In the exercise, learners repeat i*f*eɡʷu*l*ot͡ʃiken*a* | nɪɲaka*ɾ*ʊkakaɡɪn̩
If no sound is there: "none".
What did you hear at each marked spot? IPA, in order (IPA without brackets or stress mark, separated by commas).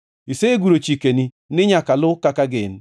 s, ɾ, i, l